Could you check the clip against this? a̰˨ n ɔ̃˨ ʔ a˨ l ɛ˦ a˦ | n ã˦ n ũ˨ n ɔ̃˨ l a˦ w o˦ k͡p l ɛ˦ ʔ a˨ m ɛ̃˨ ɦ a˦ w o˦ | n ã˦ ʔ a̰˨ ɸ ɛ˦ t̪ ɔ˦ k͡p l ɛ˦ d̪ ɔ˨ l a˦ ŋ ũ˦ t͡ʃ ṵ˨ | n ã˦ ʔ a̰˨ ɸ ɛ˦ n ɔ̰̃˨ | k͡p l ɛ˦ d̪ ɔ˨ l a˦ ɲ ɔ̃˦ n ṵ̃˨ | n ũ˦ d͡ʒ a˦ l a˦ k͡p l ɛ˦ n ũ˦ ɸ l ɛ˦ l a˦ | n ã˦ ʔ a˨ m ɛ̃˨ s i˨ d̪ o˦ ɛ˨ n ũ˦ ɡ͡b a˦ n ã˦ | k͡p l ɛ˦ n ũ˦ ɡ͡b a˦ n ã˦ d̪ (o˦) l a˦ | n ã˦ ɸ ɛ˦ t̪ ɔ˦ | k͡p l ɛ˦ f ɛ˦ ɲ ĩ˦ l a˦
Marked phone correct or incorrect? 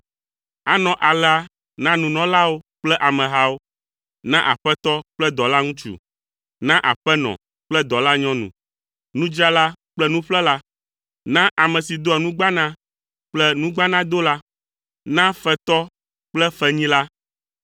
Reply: correct